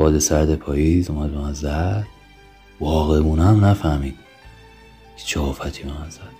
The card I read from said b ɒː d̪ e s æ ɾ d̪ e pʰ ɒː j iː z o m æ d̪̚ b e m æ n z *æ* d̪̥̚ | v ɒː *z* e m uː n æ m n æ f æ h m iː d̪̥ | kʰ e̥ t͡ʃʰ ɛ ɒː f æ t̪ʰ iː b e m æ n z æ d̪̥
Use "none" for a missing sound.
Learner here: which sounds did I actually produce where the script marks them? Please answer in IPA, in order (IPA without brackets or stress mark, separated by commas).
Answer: æ, ɣ